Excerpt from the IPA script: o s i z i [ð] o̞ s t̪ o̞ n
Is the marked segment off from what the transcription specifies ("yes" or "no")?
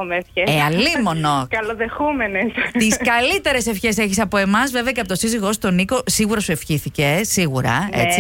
yes